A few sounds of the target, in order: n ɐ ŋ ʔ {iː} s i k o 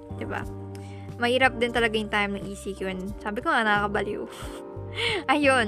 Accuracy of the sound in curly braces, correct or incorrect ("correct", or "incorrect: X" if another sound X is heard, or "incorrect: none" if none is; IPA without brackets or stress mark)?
correct